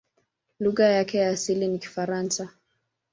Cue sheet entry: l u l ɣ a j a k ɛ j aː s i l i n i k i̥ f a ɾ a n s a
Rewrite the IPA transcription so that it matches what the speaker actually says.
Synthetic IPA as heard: l u ɣ a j a k ɛ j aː s i l i n i k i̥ f a ɾ a n s a